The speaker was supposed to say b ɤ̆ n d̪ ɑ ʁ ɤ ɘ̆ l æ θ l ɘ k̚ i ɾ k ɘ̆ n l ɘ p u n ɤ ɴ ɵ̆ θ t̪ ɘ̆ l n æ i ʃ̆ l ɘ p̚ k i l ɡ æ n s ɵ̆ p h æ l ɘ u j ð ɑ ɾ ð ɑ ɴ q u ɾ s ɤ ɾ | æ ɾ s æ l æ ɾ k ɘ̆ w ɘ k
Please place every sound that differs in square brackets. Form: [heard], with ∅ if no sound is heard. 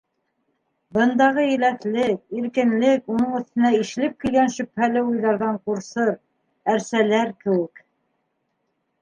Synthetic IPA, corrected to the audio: b ɤ̆ n d̪ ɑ ʁ ɤ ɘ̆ l æ θ l ɘ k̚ i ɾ k ɘ̆ n l ɘ [k] u n ɤ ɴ ɵ̆ θ t̪ ɘ̆ [∅] n æ i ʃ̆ l ɘ p̚ k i l ɡ æ n [ʃ] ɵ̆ p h æ l ɘ u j ð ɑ ɾ ð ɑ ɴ q u ɾ s ɤ ɾ | æ ɾ s æ l æ ɾ k ɘ̆ w ɘ k